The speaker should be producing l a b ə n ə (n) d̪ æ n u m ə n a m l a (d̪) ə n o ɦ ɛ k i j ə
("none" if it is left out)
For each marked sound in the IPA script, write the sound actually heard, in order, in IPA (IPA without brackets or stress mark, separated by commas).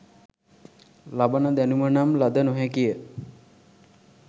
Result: none, d̪